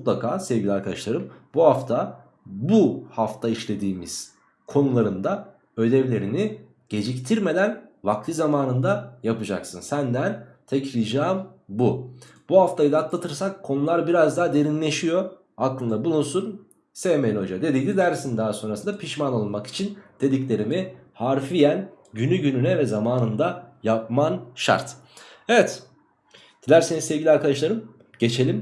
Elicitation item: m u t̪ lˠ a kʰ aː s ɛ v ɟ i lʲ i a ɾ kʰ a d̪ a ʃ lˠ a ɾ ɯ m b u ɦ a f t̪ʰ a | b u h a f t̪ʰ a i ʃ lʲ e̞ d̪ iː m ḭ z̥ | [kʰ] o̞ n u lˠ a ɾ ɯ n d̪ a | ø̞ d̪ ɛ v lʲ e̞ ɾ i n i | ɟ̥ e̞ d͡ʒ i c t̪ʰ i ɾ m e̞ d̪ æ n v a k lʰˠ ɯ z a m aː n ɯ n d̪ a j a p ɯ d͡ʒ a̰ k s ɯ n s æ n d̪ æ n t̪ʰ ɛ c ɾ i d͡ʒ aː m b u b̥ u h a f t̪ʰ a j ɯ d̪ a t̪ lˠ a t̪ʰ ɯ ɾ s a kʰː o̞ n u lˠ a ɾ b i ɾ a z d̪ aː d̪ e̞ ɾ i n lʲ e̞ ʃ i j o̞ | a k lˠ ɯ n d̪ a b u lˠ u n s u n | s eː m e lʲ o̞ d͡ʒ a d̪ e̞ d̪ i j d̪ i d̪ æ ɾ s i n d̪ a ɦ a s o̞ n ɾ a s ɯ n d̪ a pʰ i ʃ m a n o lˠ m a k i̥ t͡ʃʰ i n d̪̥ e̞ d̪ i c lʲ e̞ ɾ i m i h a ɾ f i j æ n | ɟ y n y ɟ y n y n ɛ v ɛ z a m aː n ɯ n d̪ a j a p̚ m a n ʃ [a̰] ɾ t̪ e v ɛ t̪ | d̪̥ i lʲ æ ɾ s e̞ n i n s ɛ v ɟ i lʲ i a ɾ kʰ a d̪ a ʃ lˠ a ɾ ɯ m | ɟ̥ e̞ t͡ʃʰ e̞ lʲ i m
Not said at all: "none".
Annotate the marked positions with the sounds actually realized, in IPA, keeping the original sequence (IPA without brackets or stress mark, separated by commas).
kʰ, a̰